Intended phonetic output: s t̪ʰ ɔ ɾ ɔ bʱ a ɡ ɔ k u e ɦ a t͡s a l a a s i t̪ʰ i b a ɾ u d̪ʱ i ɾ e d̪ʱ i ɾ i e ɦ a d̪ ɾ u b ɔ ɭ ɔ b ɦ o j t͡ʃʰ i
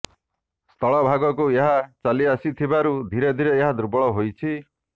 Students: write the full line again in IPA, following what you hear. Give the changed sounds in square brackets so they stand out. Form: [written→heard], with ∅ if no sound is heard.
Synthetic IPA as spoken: s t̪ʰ ɔ [ɾ→ɭ] ɔ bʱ a ɡ ɔ k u e ɦ a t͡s a l [a→i] a s i t̪ʰ i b a ɾ u d̪ʱ i ɾ e d̪ʱ i ɾ [i→e] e ɦ a d̪ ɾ u b ɔ ɭ ɔ [b→∅] ɦ o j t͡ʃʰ i